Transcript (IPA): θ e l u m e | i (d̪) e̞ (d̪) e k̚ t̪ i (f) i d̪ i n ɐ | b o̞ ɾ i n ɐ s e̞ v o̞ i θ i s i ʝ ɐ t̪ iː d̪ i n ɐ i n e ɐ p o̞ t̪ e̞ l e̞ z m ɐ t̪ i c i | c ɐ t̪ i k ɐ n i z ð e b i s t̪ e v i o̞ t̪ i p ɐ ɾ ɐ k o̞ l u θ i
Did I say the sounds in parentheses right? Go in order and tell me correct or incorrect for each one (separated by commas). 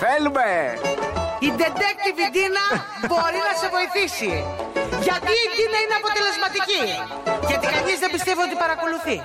correct, correct, incorrect